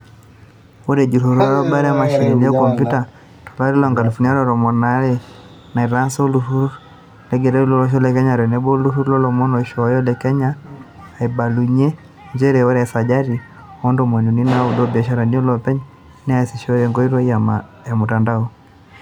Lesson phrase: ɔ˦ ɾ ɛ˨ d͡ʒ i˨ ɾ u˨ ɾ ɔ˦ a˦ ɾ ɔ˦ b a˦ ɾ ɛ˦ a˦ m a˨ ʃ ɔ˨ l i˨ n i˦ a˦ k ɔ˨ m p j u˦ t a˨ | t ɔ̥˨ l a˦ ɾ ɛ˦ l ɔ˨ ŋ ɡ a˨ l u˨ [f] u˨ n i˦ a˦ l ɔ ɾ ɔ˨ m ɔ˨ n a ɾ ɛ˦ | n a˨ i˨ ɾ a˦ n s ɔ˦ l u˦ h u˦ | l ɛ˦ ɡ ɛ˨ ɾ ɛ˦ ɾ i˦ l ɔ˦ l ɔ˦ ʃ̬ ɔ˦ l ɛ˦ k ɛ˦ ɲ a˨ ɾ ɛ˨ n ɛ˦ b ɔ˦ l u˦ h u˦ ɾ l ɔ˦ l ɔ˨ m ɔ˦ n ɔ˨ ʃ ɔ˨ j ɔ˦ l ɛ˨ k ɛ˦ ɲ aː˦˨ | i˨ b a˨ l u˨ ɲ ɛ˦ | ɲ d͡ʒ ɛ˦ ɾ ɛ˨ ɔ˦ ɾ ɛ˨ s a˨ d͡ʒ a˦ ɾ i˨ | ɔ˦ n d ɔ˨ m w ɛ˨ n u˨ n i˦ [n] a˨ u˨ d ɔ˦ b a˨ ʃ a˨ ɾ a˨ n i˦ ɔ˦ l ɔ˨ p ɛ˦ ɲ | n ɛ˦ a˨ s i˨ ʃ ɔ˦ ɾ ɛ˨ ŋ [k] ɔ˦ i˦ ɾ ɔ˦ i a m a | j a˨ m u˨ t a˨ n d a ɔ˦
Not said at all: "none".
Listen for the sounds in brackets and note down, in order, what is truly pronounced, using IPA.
f, n, ɡ

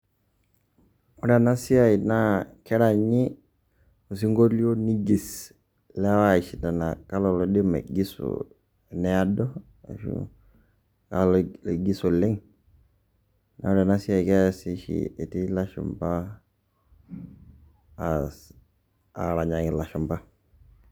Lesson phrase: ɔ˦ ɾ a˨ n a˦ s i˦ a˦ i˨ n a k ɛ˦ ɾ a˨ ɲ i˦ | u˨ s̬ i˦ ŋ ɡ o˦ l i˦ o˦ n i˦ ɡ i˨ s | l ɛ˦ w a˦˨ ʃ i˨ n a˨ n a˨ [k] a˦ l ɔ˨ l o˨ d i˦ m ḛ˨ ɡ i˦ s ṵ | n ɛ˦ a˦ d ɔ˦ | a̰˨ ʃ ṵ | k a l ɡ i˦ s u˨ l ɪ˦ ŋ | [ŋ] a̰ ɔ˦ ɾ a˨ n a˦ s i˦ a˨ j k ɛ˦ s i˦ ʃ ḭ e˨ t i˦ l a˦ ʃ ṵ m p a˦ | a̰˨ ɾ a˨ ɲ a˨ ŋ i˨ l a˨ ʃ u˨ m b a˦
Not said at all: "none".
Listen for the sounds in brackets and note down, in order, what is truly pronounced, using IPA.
k, n

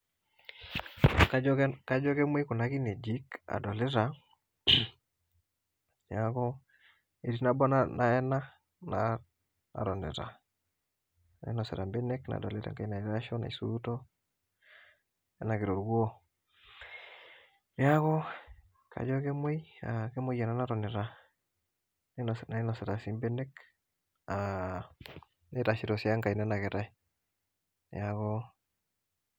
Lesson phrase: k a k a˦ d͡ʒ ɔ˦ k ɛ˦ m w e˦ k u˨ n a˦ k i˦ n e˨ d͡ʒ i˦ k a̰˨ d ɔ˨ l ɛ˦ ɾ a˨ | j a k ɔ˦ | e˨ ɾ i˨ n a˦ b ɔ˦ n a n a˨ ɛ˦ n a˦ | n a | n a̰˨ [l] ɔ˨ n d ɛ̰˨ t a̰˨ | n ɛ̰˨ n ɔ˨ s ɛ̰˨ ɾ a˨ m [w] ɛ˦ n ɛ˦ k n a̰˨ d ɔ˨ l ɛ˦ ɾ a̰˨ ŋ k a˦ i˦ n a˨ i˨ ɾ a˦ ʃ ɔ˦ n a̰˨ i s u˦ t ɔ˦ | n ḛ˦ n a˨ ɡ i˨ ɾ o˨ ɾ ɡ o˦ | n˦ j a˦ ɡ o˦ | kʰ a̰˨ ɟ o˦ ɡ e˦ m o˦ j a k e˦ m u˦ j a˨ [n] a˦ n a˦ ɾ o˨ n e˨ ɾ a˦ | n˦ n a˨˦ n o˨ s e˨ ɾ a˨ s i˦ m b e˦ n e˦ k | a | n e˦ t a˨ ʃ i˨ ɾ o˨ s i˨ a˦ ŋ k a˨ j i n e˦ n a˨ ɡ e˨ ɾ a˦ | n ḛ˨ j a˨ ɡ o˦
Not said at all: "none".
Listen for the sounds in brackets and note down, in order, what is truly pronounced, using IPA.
ɾ, b, n

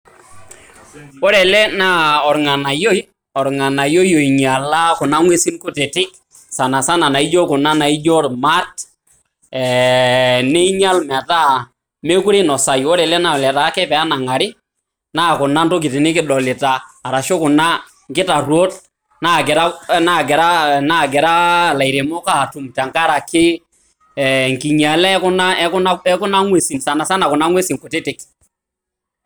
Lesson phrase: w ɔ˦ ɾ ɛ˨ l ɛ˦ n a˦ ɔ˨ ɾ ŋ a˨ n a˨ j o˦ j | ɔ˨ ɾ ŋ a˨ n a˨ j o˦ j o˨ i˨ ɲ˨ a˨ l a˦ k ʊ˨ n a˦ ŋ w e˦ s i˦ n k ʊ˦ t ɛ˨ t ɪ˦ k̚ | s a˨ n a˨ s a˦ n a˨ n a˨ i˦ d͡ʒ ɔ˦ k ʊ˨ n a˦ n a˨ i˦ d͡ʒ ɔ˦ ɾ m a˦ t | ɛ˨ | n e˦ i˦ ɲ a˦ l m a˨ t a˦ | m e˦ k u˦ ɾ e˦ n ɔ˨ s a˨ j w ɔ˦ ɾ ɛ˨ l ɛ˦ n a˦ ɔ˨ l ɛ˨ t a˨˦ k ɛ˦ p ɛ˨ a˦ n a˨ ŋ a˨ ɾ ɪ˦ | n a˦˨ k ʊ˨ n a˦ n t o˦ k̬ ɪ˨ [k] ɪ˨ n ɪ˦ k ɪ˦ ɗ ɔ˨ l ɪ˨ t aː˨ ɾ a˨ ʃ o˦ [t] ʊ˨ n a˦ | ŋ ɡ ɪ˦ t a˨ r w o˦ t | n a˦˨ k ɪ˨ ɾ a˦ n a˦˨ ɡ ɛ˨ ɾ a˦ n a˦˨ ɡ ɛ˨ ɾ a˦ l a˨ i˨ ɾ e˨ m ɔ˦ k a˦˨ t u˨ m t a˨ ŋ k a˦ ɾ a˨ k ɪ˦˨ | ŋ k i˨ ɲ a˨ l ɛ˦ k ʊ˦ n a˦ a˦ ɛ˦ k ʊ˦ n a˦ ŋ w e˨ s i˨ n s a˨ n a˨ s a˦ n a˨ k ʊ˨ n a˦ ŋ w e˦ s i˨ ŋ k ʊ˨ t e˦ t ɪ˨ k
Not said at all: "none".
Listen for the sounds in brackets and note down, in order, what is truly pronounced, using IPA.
t, k

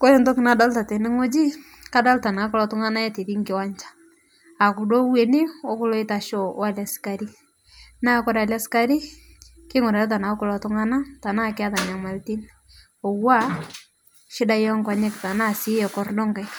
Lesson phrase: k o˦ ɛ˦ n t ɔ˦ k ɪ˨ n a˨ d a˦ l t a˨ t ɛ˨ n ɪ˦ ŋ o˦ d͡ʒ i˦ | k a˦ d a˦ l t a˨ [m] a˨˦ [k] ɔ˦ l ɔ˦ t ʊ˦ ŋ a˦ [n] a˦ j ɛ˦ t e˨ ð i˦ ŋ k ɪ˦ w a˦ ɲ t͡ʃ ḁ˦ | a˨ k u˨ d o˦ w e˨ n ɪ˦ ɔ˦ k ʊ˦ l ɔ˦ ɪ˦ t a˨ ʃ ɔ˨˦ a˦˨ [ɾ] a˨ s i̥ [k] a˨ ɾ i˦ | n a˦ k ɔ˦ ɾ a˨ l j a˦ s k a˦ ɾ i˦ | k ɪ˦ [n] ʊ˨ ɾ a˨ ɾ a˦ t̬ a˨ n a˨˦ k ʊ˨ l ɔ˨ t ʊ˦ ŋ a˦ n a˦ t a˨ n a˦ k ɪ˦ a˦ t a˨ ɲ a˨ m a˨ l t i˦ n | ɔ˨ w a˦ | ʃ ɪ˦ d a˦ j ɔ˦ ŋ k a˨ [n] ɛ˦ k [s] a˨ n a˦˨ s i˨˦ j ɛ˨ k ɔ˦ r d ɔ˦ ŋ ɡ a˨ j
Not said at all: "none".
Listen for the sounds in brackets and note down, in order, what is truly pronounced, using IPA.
n, k, n, l, k, ŋ, ɲ, t

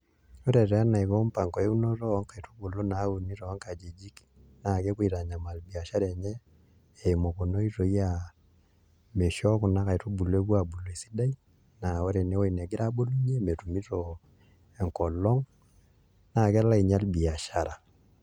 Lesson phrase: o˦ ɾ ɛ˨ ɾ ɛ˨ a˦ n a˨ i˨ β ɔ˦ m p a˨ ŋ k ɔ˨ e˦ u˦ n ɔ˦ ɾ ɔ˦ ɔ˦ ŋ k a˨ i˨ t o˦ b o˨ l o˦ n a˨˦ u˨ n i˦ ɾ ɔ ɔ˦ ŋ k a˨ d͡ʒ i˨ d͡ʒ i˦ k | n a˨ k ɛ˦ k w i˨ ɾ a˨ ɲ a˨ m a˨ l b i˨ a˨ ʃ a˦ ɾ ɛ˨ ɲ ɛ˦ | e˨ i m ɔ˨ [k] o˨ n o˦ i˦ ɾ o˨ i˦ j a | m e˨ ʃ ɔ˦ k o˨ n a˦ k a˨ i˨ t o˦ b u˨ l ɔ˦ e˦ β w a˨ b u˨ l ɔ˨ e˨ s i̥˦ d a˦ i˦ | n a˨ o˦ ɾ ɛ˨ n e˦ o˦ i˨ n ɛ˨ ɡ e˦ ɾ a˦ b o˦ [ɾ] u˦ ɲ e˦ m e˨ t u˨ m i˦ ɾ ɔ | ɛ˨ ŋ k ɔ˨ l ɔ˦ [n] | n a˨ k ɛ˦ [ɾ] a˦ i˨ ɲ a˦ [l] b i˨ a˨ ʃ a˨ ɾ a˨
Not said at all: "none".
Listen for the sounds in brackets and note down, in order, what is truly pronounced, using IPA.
k, l, ŋ, l, l

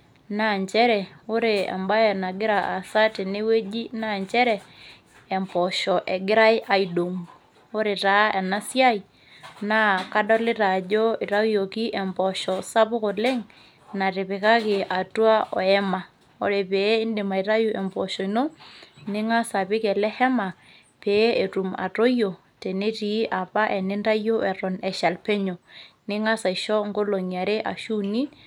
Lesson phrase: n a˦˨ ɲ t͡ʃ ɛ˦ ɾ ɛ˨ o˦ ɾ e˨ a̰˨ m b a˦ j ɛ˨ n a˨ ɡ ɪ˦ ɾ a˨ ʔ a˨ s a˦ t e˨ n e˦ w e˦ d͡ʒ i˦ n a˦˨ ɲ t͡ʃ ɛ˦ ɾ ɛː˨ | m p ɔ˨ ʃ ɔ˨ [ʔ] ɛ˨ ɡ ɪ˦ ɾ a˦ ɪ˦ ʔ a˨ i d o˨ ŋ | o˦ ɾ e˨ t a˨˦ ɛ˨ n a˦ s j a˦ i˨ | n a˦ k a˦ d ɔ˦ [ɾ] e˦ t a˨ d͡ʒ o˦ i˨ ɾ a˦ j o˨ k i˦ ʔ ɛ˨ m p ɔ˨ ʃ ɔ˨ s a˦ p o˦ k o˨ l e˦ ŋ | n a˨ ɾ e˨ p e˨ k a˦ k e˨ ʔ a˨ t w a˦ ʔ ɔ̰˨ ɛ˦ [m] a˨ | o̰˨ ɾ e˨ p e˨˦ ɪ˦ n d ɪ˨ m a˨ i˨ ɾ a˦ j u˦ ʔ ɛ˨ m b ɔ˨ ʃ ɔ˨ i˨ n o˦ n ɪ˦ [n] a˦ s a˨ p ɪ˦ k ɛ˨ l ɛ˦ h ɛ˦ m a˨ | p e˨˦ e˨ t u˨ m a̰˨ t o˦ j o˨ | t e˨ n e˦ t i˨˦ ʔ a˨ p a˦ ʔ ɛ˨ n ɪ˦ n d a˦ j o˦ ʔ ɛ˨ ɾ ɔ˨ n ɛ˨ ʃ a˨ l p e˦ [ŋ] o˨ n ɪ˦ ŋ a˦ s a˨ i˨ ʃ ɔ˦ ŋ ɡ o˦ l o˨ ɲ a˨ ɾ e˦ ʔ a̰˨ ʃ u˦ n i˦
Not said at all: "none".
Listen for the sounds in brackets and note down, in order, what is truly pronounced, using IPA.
ʔ, l, m, ŋ, ɲ

